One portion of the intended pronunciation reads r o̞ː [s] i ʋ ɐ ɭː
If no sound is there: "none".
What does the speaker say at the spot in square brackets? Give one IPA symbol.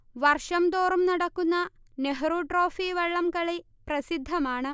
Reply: f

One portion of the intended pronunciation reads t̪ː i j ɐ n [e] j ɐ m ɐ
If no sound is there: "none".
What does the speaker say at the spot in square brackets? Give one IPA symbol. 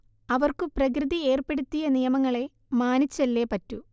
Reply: i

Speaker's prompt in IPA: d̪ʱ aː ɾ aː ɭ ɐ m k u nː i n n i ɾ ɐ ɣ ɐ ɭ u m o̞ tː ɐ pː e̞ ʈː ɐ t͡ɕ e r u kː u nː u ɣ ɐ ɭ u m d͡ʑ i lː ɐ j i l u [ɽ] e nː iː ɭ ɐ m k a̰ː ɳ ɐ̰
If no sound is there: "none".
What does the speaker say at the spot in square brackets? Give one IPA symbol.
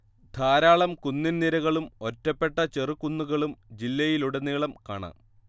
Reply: ɽ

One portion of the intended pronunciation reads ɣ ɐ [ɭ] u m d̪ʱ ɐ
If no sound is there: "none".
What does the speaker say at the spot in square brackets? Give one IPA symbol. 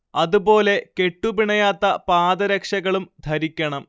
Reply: ɭ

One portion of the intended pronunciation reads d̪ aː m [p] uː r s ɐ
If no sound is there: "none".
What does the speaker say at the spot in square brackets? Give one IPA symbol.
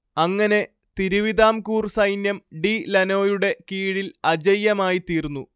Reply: k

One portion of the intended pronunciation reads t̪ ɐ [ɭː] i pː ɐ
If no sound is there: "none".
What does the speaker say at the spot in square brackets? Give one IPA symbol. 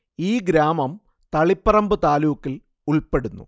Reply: ɭ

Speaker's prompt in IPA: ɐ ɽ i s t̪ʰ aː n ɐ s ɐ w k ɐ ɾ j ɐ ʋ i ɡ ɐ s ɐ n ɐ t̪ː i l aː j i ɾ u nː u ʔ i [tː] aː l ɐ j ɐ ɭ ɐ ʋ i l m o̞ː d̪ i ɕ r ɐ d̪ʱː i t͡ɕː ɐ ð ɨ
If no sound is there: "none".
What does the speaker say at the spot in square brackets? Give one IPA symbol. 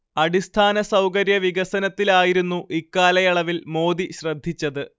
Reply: kː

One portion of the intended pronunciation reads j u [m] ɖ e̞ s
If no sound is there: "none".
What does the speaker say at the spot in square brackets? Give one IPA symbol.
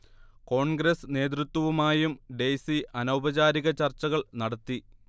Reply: m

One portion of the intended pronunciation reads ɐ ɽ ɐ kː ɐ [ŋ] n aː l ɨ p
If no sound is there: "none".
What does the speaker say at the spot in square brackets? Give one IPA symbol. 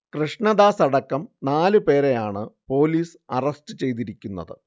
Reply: m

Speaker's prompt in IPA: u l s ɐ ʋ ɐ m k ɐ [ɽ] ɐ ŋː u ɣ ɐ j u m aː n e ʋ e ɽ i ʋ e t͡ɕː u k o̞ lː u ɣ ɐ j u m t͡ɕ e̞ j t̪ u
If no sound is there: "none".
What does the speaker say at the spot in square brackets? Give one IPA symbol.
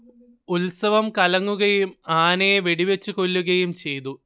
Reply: l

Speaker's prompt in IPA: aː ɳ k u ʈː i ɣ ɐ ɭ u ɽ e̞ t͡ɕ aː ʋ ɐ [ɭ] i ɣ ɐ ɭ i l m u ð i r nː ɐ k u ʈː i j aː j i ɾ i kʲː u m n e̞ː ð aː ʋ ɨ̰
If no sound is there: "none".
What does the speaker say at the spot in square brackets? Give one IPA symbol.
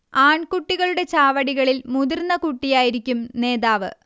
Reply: ɽ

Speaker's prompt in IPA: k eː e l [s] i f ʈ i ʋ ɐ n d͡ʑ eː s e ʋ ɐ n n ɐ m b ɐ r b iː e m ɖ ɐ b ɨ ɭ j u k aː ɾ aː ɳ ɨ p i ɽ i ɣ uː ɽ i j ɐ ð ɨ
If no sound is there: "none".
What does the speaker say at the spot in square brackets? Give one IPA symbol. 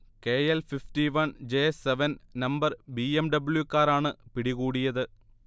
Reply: f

